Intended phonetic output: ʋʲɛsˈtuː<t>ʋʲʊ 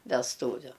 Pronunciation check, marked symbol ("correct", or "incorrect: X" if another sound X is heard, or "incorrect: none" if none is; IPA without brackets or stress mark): incorrect: none